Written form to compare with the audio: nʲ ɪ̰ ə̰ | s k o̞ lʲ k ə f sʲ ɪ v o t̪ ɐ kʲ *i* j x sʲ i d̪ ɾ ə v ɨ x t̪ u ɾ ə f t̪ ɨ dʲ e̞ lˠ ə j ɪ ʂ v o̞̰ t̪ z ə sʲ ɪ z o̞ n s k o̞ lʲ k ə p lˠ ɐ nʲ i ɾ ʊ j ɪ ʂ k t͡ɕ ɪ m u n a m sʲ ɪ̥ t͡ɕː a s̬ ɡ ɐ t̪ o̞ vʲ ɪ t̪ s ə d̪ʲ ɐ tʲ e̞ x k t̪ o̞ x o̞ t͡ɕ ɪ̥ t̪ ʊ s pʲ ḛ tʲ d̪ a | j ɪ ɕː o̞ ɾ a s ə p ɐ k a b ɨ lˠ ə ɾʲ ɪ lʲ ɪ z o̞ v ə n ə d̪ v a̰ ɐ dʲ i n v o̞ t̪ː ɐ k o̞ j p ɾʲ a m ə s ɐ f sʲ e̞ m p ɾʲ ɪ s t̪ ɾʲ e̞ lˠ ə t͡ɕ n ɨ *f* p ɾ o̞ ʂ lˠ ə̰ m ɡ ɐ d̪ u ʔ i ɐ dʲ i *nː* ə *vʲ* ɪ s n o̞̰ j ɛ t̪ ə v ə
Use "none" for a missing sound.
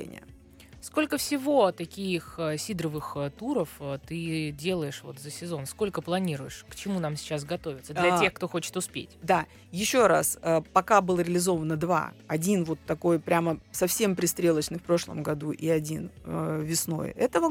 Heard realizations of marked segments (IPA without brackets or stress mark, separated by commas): i, f, n, vʲ